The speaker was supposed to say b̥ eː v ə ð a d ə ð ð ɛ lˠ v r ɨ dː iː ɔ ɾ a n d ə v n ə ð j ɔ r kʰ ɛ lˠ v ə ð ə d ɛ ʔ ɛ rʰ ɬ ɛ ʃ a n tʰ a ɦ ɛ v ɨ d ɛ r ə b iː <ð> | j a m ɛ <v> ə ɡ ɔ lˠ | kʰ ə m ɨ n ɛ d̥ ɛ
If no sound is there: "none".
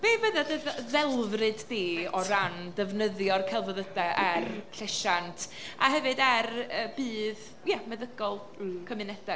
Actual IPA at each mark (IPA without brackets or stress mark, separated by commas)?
ð, ð